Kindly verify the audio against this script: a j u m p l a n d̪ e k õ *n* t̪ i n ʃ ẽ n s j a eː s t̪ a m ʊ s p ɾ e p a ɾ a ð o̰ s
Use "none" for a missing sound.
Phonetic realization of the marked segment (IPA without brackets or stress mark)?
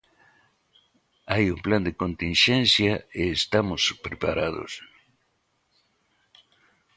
n